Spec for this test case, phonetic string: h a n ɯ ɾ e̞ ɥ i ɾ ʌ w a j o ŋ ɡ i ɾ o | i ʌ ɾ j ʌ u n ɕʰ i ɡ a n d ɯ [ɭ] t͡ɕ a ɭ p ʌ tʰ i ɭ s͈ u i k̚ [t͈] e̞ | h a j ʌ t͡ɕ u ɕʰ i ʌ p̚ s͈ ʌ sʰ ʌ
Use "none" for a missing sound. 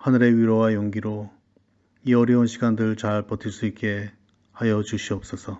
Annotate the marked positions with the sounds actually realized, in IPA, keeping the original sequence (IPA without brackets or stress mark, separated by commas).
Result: ɭ, k͈